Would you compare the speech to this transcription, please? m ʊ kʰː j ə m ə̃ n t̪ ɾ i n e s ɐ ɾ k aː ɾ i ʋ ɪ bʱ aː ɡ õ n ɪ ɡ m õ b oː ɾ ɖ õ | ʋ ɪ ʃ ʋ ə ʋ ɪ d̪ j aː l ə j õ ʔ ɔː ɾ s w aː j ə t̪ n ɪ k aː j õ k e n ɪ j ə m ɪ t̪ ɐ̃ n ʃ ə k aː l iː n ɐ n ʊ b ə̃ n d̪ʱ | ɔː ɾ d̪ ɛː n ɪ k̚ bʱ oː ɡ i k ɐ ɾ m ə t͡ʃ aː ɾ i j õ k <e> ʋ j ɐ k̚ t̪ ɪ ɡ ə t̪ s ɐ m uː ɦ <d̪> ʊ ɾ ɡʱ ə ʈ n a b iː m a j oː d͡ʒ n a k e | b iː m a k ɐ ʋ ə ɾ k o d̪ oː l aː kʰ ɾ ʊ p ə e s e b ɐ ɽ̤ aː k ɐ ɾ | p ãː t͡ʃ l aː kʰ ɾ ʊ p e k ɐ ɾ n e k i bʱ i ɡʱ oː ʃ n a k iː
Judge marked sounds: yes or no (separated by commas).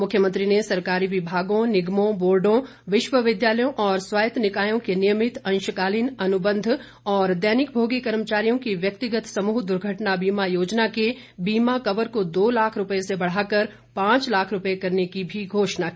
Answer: no, yes